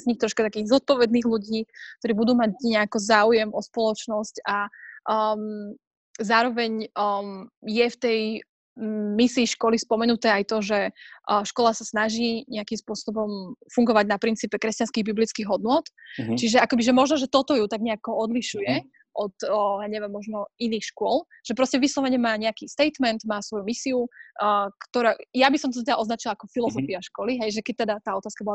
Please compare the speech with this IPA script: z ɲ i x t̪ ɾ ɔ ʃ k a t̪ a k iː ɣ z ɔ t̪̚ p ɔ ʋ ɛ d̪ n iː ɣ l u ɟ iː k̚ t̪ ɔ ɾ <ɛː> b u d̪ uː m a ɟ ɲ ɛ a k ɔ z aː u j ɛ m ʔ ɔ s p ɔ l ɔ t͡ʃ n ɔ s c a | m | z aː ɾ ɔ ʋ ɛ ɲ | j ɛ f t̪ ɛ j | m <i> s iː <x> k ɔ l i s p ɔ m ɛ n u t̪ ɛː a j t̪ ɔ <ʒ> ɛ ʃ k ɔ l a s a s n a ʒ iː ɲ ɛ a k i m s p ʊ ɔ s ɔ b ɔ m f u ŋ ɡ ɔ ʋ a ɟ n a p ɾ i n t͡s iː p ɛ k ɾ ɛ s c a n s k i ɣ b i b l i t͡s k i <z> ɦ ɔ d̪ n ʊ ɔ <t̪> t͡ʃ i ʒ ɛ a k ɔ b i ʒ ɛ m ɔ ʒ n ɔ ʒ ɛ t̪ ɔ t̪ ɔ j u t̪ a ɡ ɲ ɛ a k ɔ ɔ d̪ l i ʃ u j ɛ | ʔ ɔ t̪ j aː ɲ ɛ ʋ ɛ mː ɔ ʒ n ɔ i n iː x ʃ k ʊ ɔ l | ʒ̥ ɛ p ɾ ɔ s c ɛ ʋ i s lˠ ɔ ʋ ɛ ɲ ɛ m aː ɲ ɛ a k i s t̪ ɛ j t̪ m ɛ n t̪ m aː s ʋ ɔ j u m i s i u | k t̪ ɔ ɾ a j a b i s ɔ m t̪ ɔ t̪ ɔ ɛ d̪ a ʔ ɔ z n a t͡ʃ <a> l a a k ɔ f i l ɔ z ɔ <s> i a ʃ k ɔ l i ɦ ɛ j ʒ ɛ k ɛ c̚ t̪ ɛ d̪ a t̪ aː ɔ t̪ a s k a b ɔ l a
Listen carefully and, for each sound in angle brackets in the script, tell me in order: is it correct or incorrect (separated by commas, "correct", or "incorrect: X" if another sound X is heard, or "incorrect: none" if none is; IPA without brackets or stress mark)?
incorrect: iː, correct, incorrect: ʃ, correct, incorrect: ɣ, correct, incorrect: i, incorrect: f